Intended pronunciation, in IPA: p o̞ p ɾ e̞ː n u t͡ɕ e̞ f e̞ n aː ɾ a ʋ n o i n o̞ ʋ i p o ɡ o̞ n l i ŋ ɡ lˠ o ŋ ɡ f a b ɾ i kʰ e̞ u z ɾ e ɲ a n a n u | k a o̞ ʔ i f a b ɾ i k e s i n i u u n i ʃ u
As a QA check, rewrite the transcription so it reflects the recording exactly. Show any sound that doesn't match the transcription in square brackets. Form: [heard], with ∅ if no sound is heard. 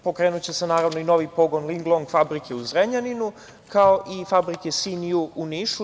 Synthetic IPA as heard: p o̞ [k] ɾ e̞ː n u t͡ɕ e̞ [s] e̞ n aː ɾ a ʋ n o i n o̞ ʋ i p o ɡ o̞ n l i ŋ ɡ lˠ o ŋ ɡ f a b ɾ i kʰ e̞ u z ɾ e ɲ a n [i] n u | k a o̞ ʔ i f a b ɾ i k e s i n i u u n i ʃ u